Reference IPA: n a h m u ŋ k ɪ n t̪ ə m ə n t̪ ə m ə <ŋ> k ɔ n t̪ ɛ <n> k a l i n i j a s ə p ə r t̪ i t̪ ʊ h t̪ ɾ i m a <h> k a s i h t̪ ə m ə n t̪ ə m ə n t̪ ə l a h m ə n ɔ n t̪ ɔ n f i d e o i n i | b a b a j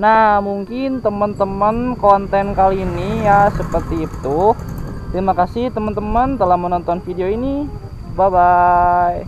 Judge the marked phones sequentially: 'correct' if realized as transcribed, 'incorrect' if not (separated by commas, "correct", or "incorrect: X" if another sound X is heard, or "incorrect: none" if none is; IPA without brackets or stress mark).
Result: incorrect: n, correct, incorrect: none